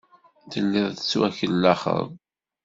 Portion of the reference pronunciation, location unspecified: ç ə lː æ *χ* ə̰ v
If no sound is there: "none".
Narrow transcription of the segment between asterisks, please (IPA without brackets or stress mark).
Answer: χ